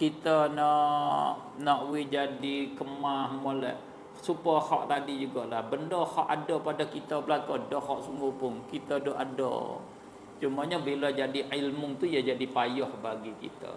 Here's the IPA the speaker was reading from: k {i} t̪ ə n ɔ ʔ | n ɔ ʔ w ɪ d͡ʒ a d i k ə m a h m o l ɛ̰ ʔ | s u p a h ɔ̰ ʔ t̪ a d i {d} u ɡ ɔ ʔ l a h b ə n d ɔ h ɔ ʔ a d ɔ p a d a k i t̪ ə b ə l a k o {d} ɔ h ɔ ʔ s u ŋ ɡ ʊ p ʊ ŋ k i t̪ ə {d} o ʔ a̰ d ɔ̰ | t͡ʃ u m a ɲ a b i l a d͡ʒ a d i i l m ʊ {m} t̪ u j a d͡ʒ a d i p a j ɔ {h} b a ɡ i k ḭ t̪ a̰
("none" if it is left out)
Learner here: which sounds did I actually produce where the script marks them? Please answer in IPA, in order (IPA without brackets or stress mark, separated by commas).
i, d͡ʒ, d, d, ŋ, h